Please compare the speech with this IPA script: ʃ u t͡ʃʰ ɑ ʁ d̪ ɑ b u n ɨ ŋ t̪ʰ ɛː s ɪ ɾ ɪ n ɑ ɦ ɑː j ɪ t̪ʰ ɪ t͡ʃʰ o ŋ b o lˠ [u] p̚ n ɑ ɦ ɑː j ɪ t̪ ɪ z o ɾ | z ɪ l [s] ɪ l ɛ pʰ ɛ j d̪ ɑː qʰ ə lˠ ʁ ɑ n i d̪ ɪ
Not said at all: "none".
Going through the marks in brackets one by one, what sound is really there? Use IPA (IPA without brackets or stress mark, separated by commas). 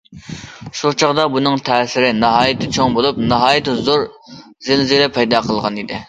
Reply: u, z